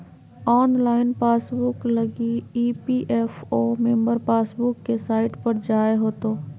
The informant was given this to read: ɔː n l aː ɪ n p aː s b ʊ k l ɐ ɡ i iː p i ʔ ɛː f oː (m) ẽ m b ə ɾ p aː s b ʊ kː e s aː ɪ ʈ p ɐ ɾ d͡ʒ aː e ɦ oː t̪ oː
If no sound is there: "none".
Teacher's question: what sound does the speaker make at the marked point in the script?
m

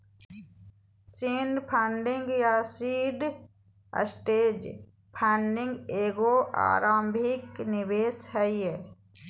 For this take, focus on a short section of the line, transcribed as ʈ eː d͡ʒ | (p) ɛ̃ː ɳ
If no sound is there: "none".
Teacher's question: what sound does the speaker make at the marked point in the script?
pʰ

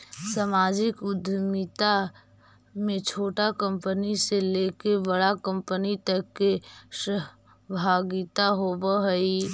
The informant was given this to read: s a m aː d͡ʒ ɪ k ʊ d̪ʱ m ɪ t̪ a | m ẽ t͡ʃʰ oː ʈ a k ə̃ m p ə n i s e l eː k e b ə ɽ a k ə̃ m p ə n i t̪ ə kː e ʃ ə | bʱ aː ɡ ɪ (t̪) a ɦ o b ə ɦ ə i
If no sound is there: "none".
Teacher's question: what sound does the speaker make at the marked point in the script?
t̪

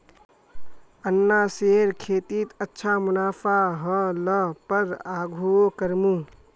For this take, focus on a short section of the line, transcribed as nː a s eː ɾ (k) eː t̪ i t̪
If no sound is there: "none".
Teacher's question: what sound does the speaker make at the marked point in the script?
kʰ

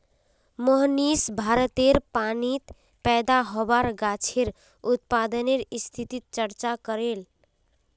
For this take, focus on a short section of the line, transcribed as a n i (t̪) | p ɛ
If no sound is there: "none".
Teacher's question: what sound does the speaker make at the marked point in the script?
t̪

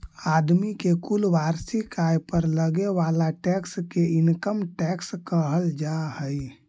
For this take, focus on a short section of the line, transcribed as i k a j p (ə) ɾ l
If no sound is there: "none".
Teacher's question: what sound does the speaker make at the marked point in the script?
ə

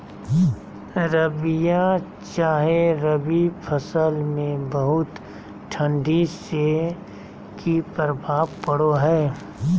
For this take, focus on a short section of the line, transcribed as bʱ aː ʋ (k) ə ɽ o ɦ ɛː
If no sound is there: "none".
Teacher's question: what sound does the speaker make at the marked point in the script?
p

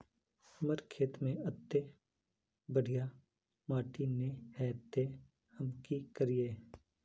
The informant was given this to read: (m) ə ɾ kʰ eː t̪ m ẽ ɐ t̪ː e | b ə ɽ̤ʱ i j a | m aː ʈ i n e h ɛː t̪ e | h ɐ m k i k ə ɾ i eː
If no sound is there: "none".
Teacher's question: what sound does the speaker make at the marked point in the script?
m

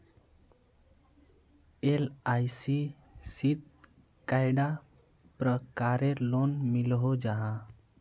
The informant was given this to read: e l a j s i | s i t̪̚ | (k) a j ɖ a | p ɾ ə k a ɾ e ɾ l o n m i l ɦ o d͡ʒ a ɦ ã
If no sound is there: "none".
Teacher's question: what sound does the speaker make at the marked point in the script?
k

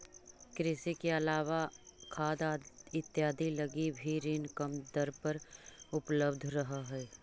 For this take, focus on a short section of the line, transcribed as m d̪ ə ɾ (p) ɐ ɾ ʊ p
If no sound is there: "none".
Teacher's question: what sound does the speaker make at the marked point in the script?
p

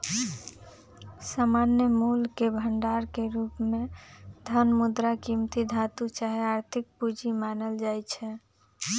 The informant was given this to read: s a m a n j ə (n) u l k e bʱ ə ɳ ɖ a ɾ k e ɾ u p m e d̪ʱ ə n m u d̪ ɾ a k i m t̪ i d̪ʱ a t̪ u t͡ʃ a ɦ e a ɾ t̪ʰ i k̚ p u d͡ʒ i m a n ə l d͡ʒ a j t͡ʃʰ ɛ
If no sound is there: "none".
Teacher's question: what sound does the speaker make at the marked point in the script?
m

